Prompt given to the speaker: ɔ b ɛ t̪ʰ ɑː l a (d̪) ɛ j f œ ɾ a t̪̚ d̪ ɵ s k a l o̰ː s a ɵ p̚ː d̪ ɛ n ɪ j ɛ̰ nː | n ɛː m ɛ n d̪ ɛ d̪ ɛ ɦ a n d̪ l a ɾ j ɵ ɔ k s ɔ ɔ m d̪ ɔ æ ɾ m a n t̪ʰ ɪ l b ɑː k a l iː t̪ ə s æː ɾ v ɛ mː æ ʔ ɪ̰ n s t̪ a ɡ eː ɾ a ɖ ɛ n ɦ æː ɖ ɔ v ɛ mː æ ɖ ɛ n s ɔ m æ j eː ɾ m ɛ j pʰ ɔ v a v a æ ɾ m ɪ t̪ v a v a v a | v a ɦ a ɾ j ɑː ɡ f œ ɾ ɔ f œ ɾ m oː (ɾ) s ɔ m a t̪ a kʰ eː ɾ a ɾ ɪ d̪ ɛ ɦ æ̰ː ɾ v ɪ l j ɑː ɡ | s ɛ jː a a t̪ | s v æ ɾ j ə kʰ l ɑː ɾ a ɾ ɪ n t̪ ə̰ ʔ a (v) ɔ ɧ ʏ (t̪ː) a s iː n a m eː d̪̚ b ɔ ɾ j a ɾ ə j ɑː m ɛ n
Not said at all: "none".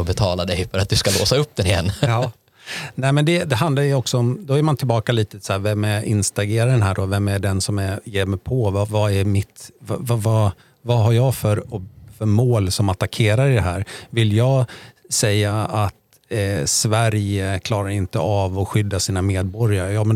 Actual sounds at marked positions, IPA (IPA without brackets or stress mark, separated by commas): d̪, l, v, d̪ː